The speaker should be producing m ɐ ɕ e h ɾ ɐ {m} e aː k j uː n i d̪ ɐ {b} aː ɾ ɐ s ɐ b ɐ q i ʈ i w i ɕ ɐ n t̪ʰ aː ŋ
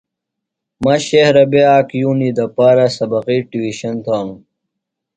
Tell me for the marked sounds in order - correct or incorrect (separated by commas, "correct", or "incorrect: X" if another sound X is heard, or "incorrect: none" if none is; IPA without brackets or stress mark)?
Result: incorrect: b, incorrect: p